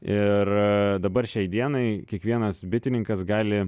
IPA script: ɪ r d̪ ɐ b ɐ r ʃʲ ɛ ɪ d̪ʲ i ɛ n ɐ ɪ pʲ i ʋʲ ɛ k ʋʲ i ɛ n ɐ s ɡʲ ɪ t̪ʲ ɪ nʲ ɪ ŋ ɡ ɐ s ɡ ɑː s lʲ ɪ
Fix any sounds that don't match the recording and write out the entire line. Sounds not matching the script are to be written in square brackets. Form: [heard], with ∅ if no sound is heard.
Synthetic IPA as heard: ɪ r d̪ ɐ b ɐ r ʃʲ ɛ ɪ d̪ʲ i ɛ n ɐ ɪ [kʲ] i [∅] ɛ k ʋʲ i ɛ n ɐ s [bʲ] ɪ t̪ʲ ɪ nʲ ɪ ŋ [k] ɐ s ɡ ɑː [∅] lʲ ɪ